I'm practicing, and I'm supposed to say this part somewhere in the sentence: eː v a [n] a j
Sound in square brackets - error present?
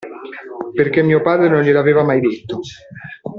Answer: yes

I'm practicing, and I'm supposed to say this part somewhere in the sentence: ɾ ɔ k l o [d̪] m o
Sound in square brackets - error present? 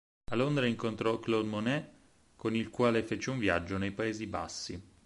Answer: no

